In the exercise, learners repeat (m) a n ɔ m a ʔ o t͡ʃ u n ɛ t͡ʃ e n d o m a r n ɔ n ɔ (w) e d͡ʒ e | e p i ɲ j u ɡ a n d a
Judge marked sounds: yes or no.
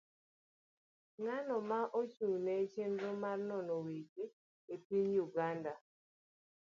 no, yes

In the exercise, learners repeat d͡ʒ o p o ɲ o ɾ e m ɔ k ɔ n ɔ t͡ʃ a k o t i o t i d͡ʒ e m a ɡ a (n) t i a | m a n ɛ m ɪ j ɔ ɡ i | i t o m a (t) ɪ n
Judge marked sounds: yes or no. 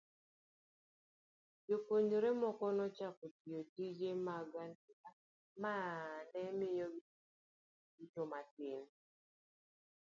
yes, yes

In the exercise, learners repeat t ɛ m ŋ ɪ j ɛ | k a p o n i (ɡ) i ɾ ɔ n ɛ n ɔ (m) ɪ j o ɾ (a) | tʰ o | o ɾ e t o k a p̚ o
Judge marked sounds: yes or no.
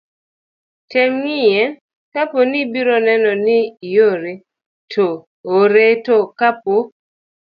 no, no, no

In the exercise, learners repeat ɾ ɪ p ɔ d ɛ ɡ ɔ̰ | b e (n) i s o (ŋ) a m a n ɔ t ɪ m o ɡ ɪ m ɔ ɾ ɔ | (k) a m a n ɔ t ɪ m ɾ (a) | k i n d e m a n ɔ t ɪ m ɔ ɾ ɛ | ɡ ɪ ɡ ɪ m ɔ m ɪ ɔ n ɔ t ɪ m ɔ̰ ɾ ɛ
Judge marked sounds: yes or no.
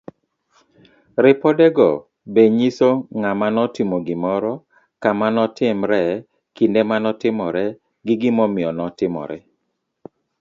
no, yes, yes, no

